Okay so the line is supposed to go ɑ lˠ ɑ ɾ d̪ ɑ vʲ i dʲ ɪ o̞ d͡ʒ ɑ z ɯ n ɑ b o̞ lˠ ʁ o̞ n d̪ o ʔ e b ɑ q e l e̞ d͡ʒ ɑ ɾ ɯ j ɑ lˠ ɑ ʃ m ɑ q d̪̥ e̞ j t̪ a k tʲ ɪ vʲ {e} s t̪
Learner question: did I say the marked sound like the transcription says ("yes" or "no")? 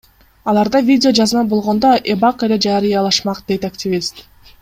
no